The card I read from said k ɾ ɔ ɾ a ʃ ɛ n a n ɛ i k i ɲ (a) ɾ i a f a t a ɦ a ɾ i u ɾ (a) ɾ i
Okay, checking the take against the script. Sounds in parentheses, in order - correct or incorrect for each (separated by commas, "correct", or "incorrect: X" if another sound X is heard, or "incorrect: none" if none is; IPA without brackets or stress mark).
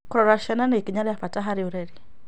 correct, incorrect: ɛ